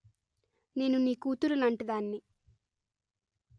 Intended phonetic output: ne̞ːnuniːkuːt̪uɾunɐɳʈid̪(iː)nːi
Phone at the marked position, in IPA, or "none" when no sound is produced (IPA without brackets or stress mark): aː